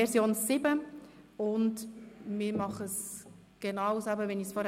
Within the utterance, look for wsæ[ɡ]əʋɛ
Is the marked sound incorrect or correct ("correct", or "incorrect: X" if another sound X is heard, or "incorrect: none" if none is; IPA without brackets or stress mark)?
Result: incorrect: b